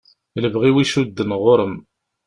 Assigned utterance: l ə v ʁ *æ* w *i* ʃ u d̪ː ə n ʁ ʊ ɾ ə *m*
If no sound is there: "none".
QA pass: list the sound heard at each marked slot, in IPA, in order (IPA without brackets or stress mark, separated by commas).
i, i, m